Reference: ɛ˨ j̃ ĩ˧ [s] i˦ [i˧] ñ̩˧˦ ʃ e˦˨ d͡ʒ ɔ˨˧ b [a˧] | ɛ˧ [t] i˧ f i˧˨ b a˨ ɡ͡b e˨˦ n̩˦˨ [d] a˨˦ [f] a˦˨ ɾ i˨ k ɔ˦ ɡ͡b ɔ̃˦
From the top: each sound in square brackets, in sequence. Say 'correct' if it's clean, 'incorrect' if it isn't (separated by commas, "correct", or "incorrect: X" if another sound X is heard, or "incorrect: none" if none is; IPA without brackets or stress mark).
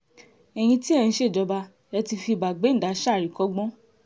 incorrect: t, incorrect: ɛ˧, correct, correct, correct, incorrect: ʃ